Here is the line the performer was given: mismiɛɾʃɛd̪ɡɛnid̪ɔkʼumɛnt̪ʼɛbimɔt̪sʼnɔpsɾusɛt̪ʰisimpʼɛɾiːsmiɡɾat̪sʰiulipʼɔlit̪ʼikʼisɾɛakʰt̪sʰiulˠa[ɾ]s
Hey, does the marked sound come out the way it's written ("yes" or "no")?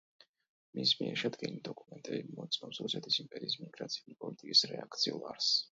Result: yes